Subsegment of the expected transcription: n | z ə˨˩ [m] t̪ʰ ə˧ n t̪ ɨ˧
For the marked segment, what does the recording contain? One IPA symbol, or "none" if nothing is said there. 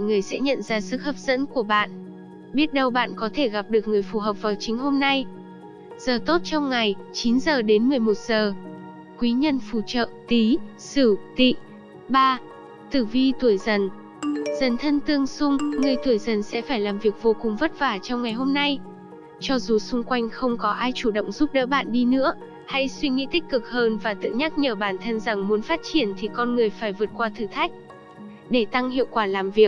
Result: n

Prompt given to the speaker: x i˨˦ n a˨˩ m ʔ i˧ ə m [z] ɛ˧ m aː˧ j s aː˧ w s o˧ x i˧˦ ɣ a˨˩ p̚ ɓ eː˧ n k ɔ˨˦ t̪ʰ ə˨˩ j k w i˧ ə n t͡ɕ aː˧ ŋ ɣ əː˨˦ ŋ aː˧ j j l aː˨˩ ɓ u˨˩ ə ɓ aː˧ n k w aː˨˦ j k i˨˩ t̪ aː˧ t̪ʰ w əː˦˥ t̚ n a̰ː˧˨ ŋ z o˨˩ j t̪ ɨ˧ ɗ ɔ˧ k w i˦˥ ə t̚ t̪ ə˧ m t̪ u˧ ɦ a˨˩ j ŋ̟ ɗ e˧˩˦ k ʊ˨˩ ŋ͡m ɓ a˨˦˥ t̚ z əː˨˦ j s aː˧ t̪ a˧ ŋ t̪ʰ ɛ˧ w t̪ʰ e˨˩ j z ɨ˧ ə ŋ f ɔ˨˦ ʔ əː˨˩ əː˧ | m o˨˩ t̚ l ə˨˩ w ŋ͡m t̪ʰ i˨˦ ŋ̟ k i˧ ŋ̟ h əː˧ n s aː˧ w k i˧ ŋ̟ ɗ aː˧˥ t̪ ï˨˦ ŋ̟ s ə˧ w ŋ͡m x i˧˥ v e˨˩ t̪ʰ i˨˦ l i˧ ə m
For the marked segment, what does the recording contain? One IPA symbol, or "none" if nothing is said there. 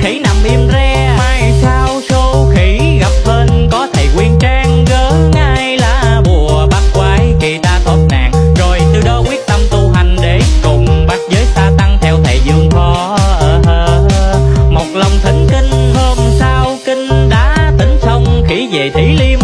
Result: z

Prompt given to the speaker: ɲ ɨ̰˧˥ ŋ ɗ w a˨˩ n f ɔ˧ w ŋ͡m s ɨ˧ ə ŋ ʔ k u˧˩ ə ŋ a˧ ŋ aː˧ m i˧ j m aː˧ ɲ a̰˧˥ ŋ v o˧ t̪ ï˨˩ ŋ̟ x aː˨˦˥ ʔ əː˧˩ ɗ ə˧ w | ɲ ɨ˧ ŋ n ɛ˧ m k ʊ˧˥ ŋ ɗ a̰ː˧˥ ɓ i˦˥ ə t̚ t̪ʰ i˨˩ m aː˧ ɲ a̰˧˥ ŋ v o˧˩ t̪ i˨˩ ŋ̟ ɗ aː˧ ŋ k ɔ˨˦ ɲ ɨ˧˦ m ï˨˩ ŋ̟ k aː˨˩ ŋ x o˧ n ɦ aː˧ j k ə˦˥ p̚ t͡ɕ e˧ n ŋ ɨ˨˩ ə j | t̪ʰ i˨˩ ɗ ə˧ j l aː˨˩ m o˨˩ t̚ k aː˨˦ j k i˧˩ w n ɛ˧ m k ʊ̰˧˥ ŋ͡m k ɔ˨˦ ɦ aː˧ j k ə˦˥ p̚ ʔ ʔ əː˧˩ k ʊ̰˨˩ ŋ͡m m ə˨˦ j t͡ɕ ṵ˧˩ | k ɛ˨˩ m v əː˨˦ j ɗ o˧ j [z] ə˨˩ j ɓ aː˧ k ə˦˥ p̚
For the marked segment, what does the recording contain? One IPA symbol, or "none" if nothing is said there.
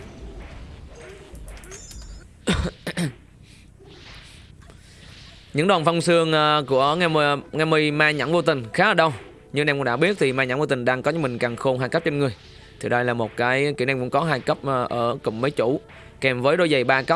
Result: z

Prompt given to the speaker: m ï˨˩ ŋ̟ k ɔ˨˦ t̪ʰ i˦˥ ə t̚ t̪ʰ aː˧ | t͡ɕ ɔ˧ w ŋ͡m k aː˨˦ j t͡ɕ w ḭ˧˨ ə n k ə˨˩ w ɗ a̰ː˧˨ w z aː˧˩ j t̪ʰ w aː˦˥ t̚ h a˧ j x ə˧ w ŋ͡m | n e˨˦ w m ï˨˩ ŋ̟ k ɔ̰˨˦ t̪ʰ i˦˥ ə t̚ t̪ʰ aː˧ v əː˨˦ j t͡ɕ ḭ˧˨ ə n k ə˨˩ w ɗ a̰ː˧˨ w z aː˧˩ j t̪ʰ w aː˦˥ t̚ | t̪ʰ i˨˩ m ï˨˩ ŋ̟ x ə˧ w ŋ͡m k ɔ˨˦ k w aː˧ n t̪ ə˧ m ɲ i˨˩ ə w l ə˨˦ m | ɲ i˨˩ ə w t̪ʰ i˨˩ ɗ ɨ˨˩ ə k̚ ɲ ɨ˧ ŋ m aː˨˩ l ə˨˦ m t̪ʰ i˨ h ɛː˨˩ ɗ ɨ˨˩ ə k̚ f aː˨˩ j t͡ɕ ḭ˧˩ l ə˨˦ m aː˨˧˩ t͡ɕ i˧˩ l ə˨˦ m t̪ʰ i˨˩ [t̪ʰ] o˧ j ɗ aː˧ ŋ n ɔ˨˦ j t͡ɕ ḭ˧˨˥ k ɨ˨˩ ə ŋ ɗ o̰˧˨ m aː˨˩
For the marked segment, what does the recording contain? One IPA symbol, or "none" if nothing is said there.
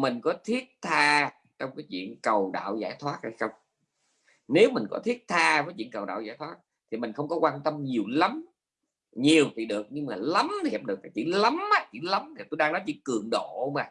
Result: t̪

